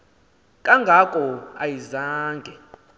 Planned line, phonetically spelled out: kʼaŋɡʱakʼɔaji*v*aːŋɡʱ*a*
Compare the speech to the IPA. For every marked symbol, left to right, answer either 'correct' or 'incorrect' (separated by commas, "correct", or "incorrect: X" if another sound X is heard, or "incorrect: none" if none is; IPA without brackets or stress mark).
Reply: incorrect: z, incorrect: ɛ